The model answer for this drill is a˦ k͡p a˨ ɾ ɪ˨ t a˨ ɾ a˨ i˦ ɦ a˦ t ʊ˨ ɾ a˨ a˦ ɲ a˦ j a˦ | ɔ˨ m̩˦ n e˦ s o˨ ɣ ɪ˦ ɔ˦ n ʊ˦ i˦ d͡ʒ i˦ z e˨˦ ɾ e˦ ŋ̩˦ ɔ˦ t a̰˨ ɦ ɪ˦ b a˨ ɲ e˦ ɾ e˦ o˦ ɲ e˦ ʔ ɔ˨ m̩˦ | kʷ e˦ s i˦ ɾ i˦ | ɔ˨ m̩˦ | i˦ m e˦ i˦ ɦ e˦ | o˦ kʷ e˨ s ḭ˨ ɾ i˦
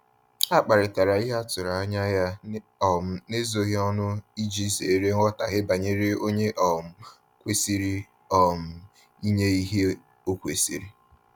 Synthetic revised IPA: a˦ k͡p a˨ ɾ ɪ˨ t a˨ ɾ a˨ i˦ ɦ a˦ t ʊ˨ ɾ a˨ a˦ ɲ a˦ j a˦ | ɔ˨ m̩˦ n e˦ z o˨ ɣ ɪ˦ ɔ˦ n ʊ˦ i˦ d͡ʒ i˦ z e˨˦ ɾ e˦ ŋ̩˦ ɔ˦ t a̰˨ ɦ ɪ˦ b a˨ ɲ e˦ ɾ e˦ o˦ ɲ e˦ ʔ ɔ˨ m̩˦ | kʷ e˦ s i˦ ɾ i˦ | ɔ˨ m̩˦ | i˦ ɲ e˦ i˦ ɦ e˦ | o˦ kʷ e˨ s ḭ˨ ɾ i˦

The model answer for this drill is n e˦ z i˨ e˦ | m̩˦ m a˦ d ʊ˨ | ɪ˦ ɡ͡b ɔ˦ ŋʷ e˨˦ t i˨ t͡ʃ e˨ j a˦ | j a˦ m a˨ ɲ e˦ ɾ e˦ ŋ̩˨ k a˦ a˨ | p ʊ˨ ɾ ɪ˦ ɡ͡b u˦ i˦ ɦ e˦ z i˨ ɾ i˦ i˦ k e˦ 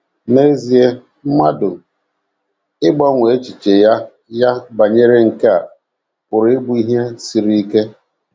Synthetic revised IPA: n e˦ z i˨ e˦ | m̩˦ m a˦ d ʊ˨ | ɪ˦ ɡ͡b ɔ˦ ŋʷ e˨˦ t͡ʃ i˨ t͡ʃ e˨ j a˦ | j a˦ b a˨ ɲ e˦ ɾ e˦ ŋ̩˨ k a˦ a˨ | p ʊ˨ ɾ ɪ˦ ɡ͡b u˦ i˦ ɦ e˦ s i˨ ɾ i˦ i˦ k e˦

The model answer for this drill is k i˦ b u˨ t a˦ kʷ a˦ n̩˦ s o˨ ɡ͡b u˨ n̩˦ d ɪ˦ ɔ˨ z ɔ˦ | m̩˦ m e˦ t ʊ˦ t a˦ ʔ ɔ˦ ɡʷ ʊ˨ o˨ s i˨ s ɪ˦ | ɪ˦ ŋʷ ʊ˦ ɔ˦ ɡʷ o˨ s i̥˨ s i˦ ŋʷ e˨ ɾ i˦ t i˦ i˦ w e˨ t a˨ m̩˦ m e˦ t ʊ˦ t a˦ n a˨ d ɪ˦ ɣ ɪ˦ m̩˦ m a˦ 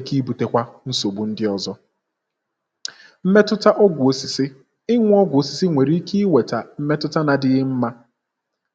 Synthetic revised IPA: k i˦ b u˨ t e˦ kʷ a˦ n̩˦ s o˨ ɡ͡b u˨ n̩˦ d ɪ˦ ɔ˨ z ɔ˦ | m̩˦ m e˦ t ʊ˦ t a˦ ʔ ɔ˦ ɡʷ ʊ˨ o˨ s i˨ s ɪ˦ | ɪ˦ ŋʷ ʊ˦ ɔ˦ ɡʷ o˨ s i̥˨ s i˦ ŋʷ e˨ ɾ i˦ k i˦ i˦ w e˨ t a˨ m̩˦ m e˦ t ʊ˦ t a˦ n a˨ d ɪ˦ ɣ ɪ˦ m̩˦ m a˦

